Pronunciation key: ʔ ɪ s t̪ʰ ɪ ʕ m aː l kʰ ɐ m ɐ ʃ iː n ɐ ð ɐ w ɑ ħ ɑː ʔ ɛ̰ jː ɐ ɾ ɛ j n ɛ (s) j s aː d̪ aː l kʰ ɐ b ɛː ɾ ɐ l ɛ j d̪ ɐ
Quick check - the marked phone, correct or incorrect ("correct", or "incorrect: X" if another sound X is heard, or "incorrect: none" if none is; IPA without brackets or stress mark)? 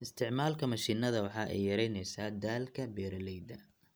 incorrect: none